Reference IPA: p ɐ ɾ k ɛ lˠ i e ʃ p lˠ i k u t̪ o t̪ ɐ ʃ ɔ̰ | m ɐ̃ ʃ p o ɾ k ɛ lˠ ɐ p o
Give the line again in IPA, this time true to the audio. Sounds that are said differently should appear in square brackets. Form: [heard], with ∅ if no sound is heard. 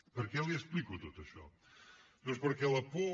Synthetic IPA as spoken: p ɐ ɾ k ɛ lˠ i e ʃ p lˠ i k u t̪ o t̪ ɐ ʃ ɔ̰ | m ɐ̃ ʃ p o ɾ k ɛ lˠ ɐ p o